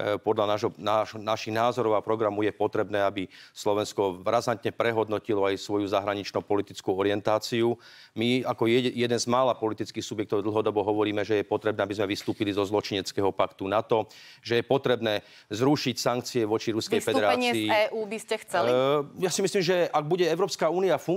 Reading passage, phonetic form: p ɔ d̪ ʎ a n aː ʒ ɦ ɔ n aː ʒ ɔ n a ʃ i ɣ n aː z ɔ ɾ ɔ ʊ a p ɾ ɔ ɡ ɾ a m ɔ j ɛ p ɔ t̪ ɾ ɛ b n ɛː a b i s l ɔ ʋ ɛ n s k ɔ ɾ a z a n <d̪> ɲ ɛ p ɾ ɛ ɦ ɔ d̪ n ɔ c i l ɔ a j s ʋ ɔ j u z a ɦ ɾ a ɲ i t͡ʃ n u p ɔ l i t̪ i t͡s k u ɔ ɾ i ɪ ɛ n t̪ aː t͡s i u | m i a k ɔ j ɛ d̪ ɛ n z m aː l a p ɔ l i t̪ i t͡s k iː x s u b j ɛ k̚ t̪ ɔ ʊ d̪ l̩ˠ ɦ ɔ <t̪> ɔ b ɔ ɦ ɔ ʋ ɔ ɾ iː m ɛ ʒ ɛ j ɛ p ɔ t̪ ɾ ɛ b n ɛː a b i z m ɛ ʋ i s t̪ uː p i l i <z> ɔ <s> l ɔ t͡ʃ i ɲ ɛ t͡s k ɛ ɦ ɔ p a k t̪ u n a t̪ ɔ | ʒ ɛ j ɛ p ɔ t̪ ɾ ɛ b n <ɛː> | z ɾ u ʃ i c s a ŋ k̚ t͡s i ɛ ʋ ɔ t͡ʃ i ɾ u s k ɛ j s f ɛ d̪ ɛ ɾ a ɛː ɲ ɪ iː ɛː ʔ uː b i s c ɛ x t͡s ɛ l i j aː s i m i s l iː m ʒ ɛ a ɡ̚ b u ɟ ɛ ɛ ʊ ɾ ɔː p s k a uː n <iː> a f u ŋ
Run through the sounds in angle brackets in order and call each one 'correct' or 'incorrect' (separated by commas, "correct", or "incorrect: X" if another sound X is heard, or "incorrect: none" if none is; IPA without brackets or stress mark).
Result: incorrect: t̪, incorrect: d̪, correct, incorrect: z, correct, incorrect: i